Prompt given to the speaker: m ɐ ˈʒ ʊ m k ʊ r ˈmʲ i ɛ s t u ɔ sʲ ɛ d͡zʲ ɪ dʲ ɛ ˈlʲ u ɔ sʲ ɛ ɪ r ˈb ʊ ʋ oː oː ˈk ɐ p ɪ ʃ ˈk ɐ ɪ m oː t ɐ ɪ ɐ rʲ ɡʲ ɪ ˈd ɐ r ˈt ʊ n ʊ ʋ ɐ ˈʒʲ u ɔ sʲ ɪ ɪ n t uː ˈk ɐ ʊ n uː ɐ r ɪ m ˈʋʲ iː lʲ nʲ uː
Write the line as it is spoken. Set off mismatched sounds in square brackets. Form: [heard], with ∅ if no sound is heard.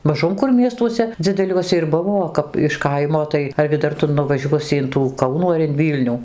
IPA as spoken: m ɐ ˈʒ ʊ m k ʊ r ˈmʲ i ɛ s t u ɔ sʲ ɛ d͡zʲ ɪ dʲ ɛ ˈlʲ u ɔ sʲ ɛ ɪ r ˈb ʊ ʋ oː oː ˈk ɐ p ɪ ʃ ˈk ɐ ɪ m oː t ɐ ɪ ɐ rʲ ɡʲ ɪ ˈd ɐ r ˈt ʊ n ʊ ʋ ɐ ˈʒʲ u ɔ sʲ ɪ ɪ n t uː ˈk ɐ ʊ n uː ɐ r ɪ [n] ˈʋʲ iː lʲ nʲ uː